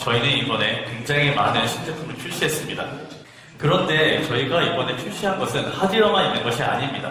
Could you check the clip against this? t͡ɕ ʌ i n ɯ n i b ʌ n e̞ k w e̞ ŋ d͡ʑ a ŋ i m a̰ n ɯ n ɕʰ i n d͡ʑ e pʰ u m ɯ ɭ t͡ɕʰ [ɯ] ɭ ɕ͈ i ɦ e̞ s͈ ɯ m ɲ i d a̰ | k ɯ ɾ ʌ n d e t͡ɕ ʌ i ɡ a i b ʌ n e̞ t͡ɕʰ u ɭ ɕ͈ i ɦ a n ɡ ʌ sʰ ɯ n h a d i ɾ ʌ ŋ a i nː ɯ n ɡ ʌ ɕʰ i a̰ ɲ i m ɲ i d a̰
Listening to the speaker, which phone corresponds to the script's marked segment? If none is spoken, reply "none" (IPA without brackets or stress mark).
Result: u